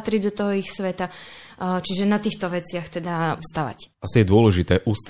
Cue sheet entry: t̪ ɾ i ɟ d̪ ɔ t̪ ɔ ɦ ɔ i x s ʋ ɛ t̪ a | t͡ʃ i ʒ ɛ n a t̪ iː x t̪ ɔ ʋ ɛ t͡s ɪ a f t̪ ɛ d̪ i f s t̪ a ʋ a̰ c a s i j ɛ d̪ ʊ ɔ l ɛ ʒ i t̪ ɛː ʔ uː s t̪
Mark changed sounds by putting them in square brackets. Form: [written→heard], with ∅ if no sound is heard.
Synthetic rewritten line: t̪ ɾ i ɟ d̪ ɔ t̪ ɔ ɦ ɔ i x s ʋ ɛ t̪ a | t͡ʃ i ʒ ɛ n a t̪ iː x t̪ ɔ ʋ ɛ t͡s ɪ a [f→x] t̪ ɛ d̪ [i→a] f s t̪ a ʋ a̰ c a s i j ɛ d̪ ʊ ɔ l ɛ ʒ i t̪ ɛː ʔ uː s t̪